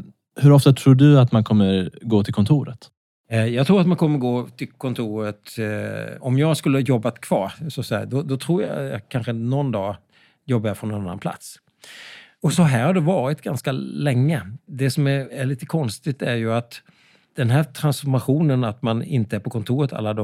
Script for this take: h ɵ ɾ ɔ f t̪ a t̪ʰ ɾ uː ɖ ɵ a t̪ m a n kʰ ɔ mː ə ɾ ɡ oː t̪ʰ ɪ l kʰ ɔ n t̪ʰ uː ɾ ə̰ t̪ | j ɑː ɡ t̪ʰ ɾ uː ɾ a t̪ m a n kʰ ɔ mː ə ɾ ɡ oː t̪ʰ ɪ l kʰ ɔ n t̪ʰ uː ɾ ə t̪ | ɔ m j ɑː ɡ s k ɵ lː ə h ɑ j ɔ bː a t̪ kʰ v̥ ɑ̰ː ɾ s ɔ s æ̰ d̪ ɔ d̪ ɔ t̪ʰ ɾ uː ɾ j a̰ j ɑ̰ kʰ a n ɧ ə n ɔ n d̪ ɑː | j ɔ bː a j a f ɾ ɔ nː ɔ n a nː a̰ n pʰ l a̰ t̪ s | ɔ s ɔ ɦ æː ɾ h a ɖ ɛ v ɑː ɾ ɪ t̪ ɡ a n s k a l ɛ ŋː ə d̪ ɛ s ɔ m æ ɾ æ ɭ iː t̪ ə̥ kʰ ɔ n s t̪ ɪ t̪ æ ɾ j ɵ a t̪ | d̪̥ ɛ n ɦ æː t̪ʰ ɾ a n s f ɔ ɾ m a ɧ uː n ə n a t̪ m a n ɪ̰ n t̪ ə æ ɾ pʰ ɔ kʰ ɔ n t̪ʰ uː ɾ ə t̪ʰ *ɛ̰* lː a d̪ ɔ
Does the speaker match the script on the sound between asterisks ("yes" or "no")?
no